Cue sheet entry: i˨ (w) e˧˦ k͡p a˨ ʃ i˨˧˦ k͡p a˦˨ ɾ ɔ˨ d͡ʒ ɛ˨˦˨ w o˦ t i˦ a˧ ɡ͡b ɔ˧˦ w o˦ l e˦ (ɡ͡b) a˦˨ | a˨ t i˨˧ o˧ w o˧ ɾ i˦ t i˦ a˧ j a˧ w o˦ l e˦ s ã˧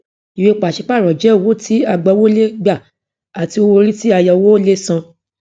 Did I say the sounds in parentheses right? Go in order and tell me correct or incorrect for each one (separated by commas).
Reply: correct, correct